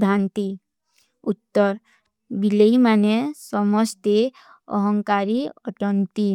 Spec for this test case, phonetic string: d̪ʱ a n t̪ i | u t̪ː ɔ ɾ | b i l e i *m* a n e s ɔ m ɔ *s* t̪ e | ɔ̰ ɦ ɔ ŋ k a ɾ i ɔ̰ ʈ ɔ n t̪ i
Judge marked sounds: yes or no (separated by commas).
yes, yes